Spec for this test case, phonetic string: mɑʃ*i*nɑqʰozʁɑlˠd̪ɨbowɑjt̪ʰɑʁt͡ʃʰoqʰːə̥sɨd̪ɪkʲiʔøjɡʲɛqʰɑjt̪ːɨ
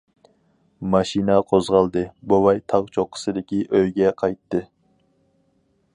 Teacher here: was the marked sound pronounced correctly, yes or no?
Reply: yes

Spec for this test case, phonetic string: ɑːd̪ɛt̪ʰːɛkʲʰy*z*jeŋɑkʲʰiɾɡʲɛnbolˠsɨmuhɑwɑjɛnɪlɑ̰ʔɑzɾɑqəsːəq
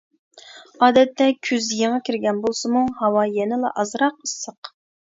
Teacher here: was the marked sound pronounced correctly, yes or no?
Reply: yes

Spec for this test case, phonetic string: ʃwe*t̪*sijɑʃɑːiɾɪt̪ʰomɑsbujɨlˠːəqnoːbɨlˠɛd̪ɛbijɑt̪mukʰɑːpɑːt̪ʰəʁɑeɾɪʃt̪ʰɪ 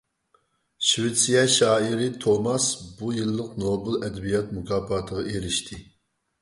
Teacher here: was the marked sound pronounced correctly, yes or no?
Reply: yes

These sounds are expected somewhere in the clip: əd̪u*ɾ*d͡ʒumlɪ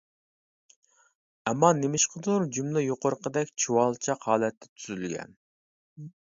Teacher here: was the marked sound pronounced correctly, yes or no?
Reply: yes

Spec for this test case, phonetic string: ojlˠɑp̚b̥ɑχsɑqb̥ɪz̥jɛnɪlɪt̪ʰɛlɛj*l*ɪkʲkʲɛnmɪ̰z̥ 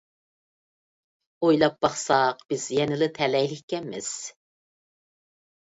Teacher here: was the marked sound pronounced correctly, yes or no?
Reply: yes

